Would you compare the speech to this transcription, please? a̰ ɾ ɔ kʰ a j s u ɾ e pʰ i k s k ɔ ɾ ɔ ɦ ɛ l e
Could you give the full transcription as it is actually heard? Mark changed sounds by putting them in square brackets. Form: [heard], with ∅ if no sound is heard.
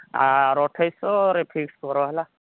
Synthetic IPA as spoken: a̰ ɾ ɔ [ʈʰ] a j s [ɔ] ɾ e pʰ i k s k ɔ ɾ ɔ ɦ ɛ l [a]